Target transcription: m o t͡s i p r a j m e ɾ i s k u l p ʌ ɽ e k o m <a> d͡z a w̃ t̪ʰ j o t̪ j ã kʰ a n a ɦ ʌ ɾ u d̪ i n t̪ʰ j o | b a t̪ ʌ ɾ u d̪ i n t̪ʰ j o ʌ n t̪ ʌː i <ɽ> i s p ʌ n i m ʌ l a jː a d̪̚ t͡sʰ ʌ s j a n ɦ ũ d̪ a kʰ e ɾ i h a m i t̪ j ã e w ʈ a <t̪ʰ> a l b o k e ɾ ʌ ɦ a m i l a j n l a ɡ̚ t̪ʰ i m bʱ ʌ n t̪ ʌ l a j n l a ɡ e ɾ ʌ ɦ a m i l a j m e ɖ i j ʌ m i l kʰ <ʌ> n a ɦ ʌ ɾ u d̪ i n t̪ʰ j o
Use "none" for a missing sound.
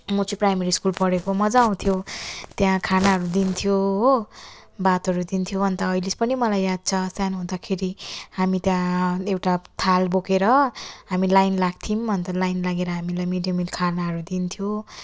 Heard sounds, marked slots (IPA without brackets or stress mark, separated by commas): ʌ, l, t̪ʰ, a